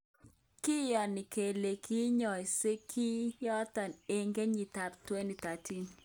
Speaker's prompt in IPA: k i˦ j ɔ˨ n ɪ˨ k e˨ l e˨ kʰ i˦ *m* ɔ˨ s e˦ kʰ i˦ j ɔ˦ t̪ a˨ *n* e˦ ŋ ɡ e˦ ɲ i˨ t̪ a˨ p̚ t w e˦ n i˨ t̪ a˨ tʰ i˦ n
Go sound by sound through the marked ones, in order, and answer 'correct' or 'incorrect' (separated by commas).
incorrect, correct